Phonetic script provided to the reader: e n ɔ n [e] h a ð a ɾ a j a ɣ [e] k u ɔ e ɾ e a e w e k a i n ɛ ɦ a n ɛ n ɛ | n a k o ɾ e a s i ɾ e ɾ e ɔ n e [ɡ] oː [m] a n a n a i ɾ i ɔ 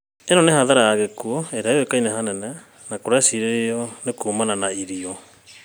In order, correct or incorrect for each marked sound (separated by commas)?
correct, correct, incorrect, correct